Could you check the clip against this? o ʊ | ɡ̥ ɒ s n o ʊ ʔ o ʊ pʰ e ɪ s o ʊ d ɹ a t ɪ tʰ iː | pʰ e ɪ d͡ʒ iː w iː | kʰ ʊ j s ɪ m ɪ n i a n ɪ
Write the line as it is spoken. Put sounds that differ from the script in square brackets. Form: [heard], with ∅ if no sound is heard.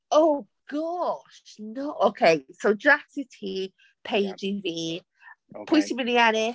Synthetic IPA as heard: o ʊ | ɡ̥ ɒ [ʃ] n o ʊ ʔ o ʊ [kʰ] e ɪ s o ʊ d ɹ a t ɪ tʰ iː | pʰ e ɪ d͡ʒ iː [v] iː | [pʰ] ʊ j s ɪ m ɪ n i a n ɪ